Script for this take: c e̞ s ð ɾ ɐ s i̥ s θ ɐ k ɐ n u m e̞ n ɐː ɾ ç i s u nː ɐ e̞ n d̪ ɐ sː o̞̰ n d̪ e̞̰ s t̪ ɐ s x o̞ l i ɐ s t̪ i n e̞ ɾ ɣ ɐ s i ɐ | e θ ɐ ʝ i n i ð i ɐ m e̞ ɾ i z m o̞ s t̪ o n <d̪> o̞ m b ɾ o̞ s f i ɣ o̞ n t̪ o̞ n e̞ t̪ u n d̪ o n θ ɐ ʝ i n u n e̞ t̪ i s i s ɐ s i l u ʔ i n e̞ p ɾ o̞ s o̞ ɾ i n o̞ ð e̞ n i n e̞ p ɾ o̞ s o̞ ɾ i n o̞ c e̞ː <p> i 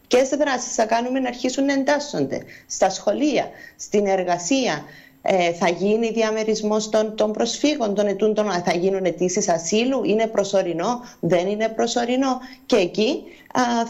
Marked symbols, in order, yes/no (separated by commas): no, no